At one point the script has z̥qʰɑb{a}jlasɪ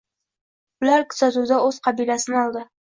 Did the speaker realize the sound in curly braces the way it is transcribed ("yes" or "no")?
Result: no